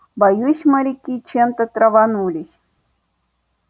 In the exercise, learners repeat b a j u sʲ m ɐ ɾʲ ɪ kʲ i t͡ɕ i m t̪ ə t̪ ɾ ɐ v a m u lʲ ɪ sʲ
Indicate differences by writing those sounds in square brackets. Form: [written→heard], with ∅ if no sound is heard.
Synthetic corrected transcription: b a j u sʲ m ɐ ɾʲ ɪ kʲ i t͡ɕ [i→e] m t̪ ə t̪ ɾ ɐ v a [m→n] u lʲ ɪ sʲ

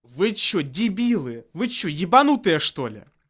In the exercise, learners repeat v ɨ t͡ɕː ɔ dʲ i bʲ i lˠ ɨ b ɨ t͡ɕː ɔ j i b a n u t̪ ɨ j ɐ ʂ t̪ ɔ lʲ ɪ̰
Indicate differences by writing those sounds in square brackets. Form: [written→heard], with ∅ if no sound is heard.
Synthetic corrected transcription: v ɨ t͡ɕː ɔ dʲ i bʲ i lˠ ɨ [b→v] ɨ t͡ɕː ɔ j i b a n u t̪ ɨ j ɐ ʂ t̪ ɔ lʲ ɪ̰

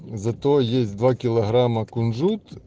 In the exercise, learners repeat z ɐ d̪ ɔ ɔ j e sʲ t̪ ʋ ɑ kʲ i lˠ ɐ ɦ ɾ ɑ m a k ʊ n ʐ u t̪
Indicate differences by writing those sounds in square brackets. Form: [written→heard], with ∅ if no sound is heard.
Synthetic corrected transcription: z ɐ [d̪→t̪] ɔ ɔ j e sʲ [t̪→d̪] ʋ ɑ kʲ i lˠ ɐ ɦ ɾ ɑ m [a→ɐ] k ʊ n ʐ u t̪

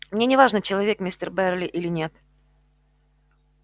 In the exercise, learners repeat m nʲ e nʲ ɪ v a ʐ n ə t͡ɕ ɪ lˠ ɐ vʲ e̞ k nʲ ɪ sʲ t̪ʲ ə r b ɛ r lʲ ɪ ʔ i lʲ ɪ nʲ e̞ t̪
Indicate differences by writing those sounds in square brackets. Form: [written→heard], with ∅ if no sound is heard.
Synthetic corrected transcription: m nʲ e nʲ ɪ v a ʐ n ə t͡ɕ ɪ lˠ ɐ vʲ e̞ k [nʲ→mʲ] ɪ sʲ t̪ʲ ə r b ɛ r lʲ ɪ ʔ i lʲ ɪ nʲ e̞ t̪

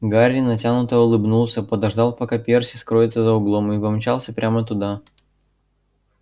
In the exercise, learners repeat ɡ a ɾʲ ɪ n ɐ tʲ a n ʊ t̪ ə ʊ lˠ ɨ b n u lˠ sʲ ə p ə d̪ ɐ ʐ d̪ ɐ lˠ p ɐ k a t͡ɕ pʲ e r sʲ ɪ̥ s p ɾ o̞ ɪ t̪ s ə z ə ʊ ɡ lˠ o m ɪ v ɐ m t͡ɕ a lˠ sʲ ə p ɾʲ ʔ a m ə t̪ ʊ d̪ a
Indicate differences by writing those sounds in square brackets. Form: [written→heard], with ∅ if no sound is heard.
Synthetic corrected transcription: ɡ a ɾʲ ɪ n ɐ tʲ a n ʊ t̪ ə ʊ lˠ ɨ b n u lˠ sʲ ə p ə d̪ ɐ ʐ d̪ [ɐ→ɑ] lˠ p ɐ k a [t͡ɕ→∅] pʲ e r sʲ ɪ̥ s [p→k] ɾ o̞ ɪ t̪ s ə z ə ʊ ɡ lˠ o m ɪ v ɐ m t͡ɕ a lˠ sʲ ə p ɾʲ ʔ a m ə t̪ ʊ d̪ a

